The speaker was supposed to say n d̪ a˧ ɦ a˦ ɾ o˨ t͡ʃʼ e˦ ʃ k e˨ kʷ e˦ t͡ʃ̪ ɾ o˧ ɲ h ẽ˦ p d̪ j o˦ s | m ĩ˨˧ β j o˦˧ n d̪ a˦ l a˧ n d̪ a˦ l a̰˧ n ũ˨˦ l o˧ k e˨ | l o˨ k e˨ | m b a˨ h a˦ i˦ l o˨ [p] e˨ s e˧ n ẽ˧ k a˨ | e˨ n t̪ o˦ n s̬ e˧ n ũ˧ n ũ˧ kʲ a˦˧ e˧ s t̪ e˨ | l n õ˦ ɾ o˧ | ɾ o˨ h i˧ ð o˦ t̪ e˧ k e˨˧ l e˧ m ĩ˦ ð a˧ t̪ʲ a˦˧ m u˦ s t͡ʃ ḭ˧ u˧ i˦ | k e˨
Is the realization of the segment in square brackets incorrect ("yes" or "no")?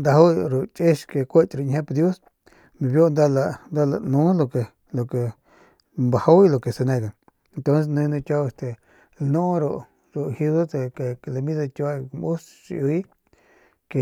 yes